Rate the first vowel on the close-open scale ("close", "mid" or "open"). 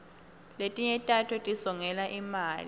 mid